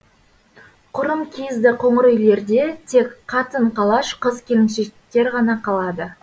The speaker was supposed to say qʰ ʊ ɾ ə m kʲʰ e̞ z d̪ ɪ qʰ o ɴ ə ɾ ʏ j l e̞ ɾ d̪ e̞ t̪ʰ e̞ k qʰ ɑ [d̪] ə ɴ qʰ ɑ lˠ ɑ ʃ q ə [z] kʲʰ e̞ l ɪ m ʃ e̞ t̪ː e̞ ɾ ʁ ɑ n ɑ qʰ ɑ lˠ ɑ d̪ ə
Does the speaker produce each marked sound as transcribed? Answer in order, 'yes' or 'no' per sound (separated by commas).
no, yes